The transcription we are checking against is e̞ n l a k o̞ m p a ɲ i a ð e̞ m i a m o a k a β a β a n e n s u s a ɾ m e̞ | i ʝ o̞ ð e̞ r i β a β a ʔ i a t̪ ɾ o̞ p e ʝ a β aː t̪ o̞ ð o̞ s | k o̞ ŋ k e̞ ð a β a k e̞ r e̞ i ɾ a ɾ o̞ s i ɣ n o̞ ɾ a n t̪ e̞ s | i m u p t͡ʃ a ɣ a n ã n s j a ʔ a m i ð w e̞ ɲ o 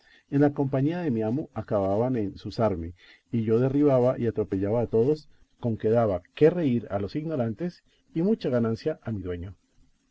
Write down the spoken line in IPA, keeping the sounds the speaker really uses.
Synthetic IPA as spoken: e̞ n l a k o̞ m p a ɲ i a ð e̞ m i a m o a k a β a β a n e n s u s a ɾ m e̞ | i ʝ o̞ ð e̞ r i β a β a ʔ i a t̪ ɾ o̞ p e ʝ a β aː t̪ o̞ ð o̞ s | k o̞ ŋ k e̞ ð a β a k e̞ r e̞ i ɾ a l o̞ s i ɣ n o̞ ɾ a n t̪ e̞ s | i m u t͡ʃ a ɣ a n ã n s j a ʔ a m i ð w e̞ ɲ o